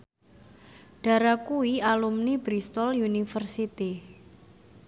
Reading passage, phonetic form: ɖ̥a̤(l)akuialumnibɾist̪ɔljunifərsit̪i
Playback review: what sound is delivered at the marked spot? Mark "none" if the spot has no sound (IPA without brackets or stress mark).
ɾ